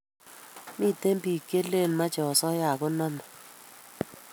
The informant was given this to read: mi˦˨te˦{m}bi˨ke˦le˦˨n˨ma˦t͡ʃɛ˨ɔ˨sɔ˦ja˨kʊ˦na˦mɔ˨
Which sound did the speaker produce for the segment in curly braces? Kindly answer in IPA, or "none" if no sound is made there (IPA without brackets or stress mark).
m